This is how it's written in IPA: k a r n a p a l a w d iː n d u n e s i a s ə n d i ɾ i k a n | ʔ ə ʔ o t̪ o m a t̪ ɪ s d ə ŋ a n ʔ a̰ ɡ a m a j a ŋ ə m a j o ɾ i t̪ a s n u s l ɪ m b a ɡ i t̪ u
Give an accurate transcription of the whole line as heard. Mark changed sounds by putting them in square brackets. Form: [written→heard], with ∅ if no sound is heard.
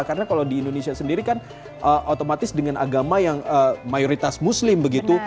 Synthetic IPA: k a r n a [p→k] a l a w d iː n d [u→o] n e s i a s ə n d i ɾ i k a n | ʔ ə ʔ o t̪ o m a t̪ ɪ s d ə ŋ a n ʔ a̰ ɡ a m a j a ŋ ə m a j o ɾ i t̪ a s [n→m] u s l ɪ m b [a→ə] ɡ i t̪ u